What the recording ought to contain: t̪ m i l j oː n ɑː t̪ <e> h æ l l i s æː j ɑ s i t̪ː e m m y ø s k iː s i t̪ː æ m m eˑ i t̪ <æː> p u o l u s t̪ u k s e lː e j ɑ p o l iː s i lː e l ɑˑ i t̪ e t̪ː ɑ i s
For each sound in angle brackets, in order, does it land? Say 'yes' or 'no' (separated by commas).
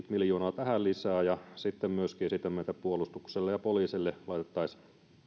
no, no